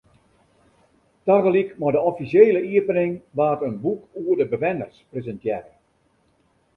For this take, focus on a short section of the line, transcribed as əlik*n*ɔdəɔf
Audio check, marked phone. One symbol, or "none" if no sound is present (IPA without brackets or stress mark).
m